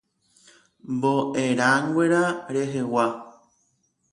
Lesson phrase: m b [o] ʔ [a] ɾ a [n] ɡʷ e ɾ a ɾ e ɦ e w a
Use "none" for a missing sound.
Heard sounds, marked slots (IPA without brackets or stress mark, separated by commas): o, e, ŋ